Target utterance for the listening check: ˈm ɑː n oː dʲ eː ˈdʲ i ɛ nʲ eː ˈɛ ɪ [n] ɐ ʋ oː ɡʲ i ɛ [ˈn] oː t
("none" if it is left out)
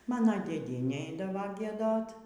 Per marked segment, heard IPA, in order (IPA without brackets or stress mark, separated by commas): d, d